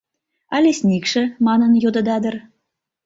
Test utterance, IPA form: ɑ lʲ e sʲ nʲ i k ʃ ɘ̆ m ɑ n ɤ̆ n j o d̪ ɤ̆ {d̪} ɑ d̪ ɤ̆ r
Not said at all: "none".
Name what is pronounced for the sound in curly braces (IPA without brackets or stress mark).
d̪